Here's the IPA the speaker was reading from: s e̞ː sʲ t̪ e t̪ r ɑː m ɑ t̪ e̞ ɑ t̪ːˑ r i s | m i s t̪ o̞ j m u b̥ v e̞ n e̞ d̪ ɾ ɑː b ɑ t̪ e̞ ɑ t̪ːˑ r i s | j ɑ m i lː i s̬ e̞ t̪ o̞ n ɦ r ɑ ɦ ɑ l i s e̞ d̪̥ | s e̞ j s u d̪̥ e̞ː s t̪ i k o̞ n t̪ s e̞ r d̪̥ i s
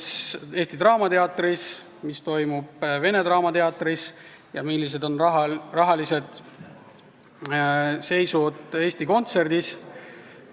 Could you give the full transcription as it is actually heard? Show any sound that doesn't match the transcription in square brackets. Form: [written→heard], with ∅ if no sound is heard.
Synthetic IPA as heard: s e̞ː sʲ t̪ [e→i] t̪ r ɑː m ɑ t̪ e̞ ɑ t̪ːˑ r i s | m i s t̪ o̞ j m u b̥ v e̞ n e̞ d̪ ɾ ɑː [b→m] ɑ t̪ e̞ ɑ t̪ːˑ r i s | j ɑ m i lː i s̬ e̞ [t̪→d̪] o̞ n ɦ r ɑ ɦ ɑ l i s e̞ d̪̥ | s e̞ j s u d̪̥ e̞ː s t̪ i k o̞ n t̪ s e̞ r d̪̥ i s